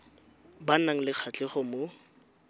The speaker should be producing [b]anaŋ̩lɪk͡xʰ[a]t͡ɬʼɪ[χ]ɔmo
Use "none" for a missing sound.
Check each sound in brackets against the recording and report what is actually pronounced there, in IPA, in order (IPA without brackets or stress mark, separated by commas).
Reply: b, a, χ